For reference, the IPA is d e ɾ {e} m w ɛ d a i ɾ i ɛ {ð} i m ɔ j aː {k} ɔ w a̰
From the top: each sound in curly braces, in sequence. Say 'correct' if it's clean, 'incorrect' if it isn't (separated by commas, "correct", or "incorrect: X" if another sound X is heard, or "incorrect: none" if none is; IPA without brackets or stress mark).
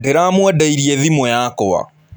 incorrect: a, correct, correct